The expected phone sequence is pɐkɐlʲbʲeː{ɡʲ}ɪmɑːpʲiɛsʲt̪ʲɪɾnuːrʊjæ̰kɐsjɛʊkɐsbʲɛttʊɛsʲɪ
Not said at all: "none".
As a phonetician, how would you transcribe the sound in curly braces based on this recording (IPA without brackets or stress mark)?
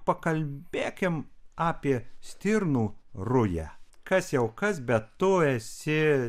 kʲ